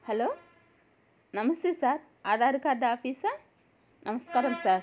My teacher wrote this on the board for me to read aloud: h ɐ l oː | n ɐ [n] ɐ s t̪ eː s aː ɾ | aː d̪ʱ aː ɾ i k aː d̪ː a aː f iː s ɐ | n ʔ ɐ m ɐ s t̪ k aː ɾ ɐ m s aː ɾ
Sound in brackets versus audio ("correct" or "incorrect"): incorrect